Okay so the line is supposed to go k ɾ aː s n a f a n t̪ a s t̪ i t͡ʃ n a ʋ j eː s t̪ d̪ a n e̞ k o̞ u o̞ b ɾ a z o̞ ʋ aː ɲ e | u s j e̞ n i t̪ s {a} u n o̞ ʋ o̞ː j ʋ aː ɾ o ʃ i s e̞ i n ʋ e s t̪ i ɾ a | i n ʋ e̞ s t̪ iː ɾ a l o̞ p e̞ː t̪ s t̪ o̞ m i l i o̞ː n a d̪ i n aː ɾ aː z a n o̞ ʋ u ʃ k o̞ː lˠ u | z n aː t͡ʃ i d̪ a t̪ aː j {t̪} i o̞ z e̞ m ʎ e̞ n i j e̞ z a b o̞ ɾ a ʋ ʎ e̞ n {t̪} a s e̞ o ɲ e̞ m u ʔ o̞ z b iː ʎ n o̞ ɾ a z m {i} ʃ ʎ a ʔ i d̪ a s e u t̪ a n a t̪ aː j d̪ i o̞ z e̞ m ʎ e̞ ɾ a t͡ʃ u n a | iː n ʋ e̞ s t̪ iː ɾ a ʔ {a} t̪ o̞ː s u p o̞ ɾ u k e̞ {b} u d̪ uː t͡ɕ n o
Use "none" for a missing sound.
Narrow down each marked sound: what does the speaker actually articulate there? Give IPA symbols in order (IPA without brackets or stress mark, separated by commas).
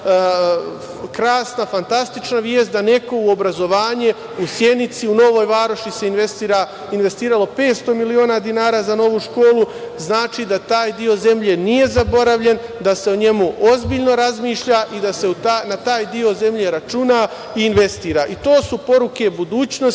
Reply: i, d̪, d̪, iː, i, b